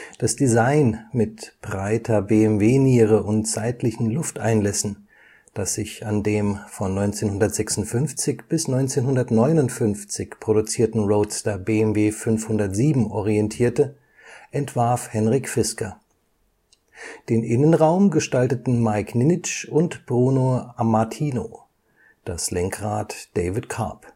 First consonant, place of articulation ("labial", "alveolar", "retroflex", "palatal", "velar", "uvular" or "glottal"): alveolar